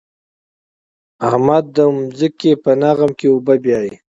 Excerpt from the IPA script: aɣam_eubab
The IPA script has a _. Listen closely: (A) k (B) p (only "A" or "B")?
A